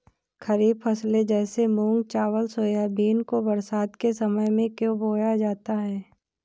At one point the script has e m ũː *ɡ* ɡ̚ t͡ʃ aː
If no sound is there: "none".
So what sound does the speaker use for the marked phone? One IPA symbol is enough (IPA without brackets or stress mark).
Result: ŋ